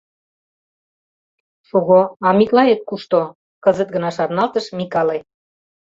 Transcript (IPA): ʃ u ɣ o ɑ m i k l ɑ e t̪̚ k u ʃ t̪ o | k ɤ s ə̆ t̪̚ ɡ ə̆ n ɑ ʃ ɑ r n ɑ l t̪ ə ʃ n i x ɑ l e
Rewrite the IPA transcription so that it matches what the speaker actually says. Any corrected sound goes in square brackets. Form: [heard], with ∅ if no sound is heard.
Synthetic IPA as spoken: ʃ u ɣ o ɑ m i k l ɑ e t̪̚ k u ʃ t̪ o | k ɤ [z] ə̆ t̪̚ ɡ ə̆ n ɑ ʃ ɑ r n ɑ l t̪ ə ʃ [m] i [k] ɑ l e